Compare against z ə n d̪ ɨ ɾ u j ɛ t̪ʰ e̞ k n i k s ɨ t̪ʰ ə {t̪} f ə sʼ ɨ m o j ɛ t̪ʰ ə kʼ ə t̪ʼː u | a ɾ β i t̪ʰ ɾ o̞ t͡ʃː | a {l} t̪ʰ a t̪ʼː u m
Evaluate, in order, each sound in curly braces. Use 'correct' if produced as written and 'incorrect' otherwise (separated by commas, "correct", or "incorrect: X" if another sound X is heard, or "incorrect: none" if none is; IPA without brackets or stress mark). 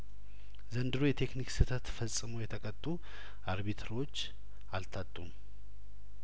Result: correct, correct